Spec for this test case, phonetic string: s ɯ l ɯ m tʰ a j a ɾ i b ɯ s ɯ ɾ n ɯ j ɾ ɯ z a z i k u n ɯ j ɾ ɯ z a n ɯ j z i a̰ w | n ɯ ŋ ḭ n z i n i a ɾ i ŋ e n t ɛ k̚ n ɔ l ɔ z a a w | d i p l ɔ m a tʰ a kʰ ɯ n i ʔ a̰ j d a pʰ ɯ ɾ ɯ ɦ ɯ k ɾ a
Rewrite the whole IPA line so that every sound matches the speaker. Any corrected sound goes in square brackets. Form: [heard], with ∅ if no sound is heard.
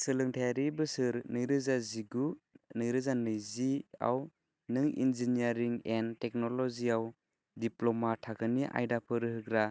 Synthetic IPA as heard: s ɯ l ɯ [ŋ] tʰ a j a ɾ i b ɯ s ɯ ɾ n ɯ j ɾ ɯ z a z i [ɡ] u n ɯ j ɾ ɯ z a n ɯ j z i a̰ w | n ɯ ŋ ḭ n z i n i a ɾ i ŋ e n t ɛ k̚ n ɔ l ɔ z [i] a w | d i p l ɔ m a tʰ a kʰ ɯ n i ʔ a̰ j d a pʰ ɯ ɾ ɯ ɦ ɯ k ɾ a